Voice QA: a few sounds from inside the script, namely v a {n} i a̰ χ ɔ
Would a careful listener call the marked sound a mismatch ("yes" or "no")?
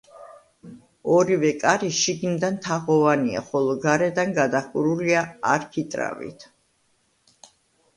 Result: no